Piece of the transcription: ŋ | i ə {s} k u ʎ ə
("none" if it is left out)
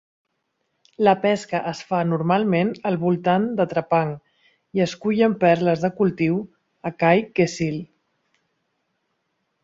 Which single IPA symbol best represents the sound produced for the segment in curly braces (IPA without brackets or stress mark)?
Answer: s